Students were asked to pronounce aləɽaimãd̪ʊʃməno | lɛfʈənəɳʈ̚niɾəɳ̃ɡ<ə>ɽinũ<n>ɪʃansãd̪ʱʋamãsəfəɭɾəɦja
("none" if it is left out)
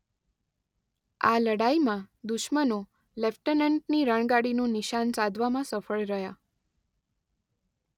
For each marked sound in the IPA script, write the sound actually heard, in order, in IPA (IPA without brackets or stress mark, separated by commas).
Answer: a, n